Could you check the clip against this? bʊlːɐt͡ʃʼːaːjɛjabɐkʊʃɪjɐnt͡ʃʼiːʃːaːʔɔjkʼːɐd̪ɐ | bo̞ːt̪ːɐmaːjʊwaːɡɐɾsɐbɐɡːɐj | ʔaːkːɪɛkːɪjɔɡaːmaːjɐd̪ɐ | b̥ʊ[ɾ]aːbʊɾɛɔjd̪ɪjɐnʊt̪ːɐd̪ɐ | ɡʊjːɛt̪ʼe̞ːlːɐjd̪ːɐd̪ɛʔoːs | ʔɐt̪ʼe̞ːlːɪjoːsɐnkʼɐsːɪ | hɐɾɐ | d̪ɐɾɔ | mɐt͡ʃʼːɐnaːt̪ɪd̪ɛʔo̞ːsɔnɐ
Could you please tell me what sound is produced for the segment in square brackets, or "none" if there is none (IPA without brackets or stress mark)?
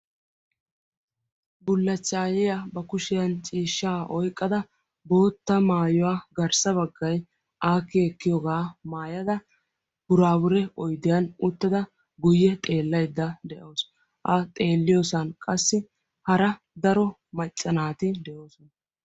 ɾ